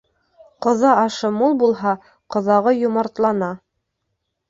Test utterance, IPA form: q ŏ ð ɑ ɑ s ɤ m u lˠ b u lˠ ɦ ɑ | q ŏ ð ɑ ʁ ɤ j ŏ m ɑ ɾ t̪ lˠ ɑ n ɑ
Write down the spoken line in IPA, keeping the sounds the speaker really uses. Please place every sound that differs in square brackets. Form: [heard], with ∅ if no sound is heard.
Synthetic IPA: q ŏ ð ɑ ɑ [ʃ] ɤ m u lˠ b u lˠ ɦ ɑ | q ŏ ð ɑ ʁ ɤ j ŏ m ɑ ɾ t̪ lˠ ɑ n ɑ